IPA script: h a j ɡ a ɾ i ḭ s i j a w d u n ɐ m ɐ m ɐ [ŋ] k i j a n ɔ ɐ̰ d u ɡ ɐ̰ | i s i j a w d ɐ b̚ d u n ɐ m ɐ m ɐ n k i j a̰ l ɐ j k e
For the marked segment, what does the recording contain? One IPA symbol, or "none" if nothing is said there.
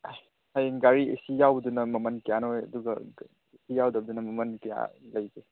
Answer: n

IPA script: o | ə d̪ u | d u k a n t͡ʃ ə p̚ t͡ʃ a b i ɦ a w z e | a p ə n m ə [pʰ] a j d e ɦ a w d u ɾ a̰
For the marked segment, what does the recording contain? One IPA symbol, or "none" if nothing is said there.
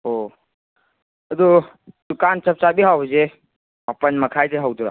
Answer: kʰ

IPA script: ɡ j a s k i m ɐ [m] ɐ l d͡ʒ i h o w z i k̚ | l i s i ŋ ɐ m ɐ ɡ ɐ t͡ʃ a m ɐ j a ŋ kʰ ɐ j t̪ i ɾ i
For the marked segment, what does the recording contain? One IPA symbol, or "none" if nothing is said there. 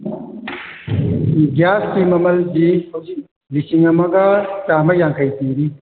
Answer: m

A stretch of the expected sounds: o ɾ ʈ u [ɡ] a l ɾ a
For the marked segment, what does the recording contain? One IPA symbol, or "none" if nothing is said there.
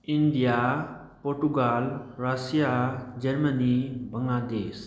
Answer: ɡ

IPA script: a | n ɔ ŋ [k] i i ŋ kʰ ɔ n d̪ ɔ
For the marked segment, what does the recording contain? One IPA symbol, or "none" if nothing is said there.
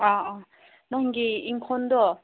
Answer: ɡ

